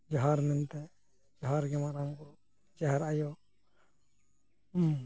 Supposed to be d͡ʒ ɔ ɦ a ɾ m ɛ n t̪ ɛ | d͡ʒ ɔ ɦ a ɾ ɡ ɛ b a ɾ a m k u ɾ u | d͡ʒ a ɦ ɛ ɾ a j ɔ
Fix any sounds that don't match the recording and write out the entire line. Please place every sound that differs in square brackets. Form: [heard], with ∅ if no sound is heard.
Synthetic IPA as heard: d͡ʒ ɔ ɦ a ɾ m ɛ n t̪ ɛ | d͡ʒ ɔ ɦ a ɾ ɡ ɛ [m] a ɾ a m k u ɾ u | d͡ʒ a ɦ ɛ ɾ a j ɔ